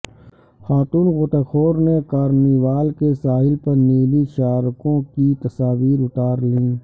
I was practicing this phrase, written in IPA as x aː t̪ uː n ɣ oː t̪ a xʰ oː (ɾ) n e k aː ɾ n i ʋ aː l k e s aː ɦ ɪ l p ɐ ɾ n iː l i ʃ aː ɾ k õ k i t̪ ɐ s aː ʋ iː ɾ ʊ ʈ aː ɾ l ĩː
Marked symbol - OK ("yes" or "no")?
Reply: yes